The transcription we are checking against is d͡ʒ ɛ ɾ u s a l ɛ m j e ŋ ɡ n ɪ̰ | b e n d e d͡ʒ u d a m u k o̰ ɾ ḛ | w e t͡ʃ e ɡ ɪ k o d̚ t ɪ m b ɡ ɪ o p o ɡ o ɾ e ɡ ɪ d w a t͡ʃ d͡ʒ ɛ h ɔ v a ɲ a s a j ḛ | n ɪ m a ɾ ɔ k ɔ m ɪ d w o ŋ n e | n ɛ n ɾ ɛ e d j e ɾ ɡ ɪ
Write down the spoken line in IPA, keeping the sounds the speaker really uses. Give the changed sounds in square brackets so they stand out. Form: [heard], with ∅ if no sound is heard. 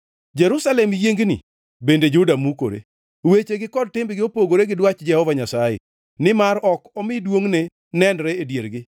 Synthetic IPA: d͡ʒ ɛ ɾ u s a l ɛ m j e ŋ ɡ n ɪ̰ | b e n d e d͡ʒ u d a m u k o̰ ɾ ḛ | w e t͡ʃ e ɡ ɪ k [ɔ] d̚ t ɪ m b ɡ ɪ o p o ɡ o ɾ e ɡ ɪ d w a t͡ʃ d͡ʒ ɛ h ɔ v a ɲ a s a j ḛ | n ɪ m a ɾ ɔ k ɔ m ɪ d w o ŋ n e | n ɛ n ɾ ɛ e d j e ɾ ɡ ɪ

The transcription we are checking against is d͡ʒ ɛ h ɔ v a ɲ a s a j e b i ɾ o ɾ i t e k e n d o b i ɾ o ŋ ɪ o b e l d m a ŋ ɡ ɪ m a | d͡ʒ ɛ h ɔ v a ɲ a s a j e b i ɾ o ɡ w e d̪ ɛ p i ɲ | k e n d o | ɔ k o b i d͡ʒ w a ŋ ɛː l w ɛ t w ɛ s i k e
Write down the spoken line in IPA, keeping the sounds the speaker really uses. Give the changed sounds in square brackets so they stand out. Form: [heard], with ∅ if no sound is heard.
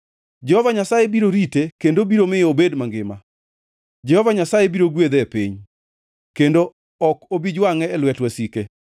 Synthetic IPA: d͡ʒ ɛ h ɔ v a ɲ a s a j e b i ɾ o ɾ i t e k e n d o b i ɾ o [m] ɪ o b e [∅] d m a ŋ ɡ ɪ m a | d͡ʒ ɛ h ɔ v a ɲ a s a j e b i ɾ o ɡ w e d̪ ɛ p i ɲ | k e n d o | ɔ k o b i d͡ʒ w a ŋ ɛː l w ɛ t w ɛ s i k e

